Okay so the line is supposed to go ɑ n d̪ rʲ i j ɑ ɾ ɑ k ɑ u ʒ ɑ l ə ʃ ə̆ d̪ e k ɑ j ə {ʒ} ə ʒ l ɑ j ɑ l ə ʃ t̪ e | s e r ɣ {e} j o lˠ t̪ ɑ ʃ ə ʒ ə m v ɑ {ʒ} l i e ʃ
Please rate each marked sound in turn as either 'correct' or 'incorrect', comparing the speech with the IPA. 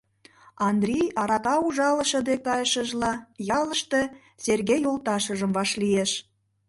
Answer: incorrect, correct, incorrect

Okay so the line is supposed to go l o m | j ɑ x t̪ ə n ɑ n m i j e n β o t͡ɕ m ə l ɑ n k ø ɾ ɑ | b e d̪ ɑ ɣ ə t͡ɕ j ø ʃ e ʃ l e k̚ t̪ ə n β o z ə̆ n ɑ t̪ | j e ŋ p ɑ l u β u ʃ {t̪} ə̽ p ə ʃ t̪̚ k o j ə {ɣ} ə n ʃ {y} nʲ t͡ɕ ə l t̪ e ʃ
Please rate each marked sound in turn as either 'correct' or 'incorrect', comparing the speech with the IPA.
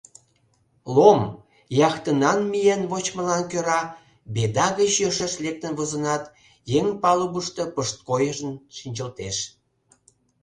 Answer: correct, incorrect, incorrect

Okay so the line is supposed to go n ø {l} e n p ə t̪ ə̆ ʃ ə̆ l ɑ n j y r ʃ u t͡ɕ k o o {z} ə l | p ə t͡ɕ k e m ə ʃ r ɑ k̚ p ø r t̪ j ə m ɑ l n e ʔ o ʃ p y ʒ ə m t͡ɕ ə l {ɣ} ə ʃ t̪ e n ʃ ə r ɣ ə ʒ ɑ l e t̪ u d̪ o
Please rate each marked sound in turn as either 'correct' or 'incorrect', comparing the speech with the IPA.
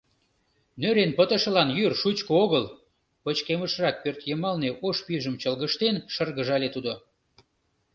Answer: incorrect, incorrect, correct

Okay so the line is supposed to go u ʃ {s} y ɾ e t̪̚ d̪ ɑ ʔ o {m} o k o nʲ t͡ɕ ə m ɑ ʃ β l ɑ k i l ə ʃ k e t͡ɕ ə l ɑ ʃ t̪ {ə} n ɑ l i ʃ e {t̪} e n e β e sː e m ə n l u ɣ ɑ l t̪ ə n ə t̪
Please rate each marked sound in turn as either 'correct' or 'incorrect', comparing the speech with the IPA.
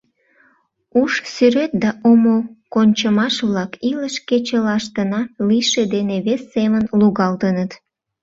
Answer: correct, correct, correct, incorrect

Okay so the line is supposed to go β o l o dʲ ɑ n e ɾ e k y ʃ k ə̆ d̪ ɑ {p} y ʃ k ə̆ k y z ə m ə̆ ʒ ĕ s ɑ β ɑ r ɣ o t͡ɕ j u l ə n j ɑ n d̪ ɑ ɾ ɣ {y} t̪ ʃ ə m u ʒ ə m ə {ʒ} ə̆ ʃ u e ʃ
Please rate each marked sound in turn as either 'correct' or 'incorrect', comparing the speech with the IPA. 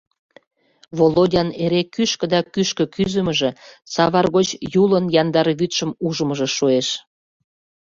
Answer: incorrect, correct, correct

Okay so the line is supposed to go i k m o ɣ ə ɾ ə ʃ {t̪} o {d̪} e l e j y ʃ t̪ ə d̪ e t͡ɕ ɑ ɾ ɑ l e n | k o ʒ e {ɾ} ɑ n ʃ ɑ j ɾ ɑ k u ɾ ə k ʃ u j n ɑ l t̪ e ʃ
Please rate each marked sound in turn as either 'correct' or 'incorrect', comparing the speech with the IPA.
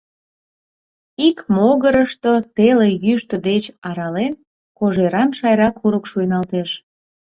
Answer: correct, incorrect, correct

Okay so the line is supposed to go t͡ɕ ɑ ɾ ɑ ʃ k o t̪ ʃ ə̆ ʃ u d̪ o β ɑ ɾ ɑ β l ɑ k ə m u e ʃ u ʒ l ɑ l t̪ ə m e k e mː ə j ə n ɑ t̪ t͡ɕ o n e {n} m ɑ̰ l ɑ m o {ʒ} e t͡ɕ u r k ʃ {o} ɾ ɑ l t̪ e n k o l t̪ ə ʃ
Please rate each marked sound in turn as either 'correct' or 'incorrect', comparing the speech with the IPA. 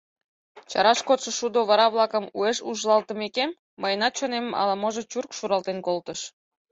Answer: incorrect, correct, incorrect

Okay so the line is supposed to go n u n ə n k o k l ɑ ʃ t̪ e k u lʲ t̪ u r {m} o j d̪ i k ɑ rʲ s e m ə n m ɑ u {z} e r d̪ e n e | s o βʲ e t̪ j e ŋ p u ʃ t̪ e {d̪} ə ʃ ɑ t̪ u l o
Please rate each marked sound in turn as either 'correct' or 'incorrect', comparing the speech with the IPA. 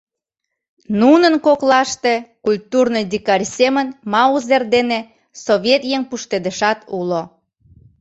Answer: incorrect, correct, correct

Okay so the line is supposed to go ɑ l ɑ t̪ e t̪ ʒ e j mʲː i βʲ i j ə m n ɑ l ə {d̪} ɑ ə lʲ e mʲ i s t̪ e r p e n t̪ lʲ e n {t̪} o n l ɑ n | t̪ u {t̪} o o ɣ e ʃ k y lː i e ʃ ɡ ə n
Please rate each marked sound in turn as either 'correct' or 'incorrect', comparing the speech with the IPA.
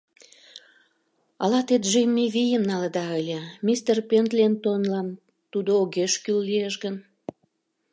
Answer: correct, correct, incorrect

